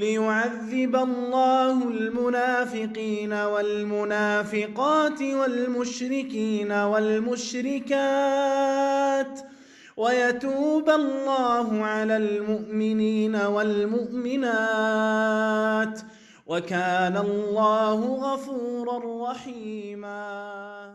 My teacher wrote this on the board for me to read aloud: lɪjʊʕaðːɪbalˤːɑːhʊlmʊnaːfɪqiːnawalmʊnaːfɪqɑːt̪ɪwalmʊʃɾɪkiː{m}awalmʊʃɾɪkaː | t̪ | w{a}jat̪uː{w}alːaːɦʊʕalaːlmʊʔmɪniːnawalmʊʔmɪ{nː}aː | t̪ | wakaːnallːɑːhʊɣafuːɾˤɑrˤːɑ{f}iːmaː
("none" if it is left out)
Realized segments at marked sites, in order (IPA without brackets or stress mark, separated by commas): n, a, b, n, ħ